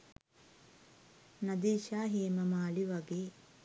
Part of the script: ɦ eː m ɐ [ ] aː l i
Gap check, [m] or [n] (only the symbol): m